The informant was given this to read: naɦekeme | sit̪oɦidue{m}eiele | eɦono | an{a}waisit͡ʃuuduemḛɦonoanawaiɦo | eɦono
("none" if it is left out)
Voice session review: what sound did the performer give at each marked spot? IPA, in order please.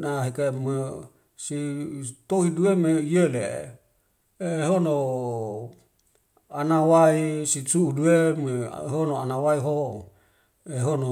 m, a

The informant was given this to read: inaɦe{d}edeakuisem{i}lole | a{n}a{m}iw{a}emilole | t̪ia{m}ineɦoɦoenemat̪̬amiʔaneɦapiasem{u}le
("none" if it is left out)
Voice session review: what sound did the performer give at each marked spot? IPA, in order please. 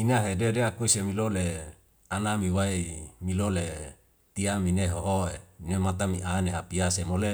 d, i, n, m, a, m, o

